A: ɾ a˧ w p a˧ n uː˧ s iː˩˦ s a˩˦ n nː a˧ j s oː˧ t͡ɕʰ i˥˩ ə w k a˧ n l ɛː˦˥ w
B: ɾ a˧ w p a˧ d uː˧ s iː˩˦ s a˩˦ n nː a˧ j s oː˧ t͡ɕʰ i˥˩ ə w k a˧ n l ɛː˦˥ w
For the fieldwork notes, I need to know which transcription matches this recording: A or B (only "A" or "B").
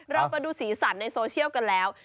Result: B